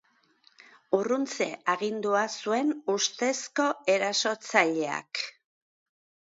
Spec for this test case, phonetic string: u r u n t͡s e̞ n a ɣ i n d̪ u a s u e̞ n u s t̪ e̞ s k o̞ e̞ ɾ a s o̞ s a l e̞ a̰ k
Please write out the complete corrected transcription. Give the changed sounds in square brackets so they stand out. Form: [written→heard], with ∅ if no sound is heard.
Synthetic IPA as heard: u r u n t͡s e̞ [n→∅] a ɣ i n d̪ u a s u e̞ n u s t̪ e̞ s k o̞ e̞ ɾ a s o̞ [s→t͡s] a [l→ʎ] e̞ a̰ k